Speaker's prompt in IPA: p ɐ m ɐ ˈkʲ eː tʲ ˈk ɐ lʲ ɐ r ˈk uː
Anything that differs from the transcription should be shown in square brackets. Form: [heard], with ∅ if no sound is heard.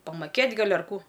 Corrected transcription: p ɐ m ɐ ˈkʲ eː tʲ [ˈɡ] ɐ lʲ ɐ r ˈk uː